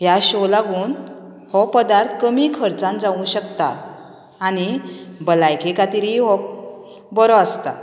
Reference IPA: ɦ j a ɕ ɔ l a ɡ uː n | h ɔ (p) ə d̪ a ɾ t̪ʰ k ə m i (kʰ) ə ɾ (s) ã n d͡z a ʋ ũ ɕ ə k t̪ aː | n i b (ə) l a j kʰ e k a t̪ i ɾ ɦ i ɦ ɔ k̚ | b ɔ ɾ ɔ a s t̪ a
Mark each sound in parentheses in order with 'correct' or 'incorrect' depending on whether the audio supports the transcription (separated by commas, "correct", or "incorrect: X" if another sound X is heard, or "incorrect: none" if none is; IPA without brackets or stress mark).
correct, correct, incorrect: t͡s, correct